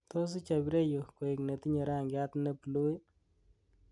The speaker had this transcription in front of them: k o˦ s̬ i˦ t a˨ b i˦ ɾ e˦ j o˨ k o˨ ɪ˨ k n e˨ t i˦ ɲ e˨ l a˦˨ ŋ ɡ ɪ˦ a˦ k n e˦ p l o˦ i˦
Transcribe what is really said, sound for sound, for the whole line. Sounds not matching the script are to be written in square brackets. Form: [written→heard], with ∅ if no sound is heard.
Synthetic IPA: [k→t] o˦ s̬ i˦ [t→t͡ʃ] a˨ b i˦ ɾ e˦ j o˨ k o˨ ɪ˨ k n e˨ t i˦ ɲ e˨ [l→ɾ] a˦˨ ŋ ɡ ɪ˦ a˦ [k→t] n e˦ p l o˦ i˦

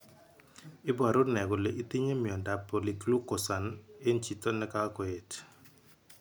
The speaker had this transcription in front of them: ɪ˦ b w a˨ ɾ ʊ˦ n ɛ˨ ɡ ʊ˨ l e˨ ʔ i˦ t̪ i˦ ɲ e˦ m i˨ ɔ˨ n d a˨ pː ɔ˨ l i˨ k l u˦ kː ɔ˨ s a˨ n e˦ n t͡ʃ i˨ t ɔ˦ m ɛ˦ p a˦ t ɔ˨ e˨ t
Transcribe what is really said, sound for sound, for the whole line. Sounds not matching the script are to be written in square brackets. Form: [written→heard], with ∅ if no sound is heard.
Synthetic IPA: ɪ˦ b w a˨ ɾ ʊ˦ n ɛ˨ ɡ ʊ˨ l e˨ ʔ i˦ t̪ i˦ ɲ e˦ m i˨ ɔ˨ n d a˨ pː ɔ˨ l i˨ k l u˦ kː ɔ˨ s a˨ n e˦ n t͡ʃ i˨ t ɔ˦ [m→n] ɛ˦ [p→k] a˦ [t→k] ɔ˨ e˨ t

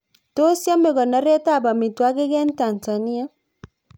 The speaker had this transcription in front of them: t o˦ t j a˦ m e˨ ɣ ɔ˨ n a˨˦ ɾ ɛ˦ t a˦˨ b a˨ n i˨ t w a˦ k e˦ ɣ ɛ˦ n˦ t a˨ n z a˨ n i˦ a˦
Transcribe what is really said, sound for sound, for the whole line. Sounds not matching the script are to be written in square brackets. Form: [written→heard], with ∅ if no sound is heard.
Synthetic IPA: t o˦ [t→s] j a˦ m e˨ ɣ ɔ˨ n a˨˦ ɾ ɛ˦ t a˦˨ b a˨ [n→m] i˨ t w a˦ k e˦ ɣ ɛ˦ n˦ t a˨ n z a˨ n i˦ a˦

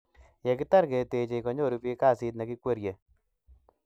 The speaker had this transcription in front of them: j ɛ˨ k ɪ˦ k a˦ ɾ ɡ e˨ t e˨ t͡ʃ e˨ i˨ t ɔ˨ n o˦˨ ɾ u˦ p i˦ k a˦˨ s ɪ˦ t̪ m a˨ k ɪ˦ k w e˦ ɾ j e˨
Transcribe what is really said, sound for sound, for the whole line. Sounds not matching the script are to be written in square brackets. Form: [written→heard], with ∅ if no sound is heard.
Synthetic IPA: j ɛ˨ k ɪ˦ [k→t] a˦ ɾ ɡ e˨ t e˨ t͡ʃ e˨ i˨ [t→k] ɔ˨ [n→ɲ] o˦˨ ɾ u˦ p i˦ k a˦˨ s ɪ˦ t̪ [m→n] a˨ k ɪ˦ k w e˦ ɾ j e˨

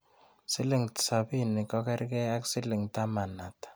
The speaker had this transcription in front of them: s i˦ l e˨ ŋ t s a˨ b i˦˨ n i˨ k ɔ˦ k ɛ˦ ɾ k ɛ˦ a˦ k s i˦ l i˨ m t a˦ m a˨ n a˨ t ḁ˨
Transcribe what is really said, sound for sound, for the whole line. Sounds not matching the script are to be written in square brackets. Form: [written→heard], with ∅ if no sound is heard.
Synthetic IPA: s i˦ l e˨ ŋ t s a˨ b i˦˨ n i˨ k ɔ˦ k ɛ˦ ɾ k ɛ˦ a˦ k s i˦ l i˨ [m→ŋ] t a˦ m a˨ n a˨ t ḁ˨

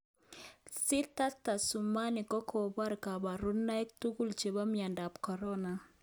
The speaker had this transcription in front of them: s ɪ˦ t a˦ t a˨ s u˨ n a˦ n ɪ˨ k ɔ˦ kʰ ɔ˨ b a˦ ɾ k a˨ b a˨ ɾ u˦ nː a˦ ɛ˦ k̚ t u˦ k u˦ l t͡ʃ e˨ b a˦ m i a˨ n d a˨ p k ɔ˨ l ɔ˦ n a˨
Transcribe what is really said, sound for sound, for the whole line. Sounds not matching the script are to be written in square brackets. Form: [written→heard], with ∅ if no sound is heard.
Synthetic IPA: s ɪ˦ t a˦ t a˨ s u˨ [n→m] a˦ n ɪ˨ k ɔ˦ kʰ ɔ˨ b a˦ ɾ k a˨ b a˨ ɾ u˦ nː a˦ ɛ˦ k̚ t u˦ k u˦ l t͡ʃ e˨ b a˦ m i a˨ n d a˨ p k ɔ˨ [l→ɾ] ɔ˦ n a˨

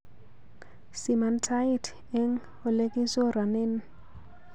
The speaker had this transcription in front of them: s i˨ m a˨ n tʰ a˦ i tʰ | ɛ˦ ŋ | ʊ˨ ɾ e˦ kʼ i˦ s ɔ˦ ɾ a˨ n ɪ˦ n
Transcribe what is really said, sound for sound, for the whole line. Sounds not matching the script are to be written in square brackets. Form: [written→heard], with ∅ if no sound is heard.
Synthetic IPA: s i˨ m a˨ n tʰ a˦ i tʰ | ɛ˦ ŋ | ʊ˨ [ɾ→l] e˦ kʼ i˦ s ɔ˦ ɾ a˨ n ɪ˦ n

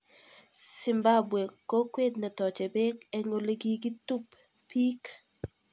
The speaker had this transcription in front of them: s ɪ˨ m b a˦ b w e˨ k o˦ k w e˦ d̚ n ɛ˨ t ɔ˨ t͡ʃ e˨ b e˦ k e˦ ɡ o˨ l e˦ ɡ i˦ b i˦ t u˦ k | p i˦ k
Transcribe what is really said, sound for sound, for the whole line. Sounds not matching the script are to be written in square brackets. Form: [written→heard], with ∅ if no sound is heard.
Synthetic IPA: s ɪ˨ m b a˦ b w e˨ k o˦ k w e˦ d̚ n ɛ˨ t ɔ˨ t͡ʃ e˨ b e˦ k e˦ [ɡ→ŋ] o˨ l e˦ ɡ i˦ [b→ɡ] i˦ t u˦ [k→p] | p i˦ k

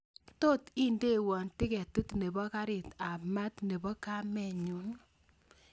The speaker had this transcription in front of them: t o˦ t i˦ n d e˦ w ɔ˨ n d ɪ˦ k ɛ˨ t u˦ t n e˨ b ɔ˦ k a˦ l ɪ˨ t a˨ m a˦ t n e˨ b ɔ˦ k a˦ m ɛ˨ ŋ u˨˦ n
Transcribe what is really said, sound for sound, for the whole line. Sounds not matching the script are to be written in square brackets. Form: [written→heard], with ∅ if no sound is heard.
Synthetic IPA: t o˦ t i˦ n d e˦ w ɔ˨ n [d→t] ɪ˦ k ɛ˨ t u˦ t n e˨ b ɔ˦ k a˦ [l→ɾ] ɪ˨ t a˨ m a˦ t n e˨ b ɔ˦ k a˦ m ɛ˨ [ŋ→ɲ] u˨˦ n

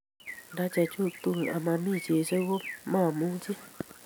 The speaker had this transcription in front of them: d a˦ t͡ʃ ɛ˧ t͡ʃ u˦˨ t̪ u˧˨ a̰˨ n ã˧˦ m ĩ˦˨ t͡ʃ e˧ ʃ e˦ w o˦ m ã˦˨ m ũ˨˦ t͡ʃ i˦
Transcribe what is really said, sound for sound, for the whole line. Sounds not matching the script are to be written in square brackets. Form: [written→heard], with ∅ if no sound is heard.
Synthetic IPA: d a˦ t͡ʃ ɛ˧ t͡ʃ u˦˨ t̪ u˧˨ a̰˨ [n→m] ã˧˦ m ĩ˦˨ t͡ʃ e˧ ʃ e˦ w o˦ m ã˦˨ m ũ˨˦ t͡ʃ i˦

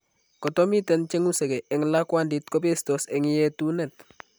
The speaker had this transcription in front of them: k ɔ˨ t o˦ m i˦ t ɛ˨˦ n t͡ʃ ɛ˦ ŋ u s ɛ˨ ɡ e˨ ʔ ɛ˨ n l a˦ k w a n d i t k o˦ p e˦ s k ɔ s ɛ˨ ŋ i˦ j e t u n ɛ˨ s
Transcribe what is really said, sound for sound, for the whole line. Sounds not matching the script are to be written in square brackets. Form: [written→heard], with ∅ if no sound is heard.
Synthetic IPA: k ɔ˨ t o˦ m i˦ t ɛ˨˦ n t͡ʃ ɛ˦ ŋ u s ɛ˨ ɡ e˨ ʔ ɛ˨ [n→ŋ] l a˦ k w a n d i t k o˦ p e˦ s [k→t] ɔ s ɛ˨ ŋ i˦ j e t u n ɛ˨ [s→t]

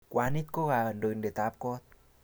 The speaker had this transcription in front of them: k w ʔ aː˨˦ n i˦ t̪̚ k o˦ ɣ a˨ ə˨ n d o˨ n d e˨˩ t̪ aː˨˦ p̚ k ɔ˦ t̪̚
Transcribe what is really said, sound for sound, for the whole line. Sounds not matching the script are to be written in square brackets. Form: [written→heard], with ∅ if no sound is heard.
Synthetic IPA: k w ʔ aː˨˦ n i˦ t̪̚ k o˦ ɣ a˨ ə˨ n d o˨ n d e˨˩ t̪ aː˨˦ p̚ k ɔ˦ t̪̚

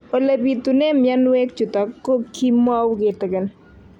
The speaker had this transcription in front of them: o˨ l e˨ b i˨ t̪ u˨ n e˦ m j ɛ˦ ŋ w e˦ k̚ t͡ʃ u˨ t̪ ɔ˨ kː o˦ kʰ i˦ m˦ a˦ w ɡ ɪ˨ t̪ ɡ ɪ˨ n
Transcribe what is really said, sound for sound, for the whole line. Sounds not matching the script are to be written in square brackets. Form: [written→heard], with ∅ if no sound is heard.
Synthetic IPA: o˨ l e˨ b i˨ t̪ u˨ n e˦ m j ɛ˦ [ŋ→n] w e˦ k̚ t͡ʃ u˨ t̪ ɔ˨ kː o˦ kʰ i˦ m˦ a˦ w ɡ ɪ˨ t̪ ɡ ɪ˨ n

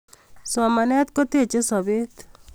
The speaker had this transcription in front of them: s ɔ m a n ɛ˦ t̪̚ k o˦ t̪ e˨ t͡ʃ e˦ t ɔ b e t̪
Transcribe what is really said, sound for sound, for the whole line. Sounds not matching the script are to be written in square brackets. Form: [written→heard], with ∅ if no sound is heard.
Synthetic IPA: s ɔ m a n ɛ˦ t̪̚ k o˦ t̪ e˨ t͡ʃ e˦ [t→s] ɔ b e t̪

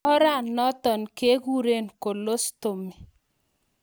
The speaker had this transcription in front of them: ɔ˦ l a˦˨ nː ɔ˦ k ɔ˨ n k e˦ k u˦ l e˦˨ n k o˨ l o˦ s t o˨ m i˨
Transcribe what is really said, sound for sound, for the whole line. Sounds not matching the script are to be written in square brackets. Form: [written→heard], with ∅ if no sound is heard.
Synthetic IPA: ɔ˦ [l→ɾ] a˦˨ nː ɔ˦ [k→t] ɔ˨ n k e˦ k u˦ [l→ɾ] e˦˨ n k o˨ l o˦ s t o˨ m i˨

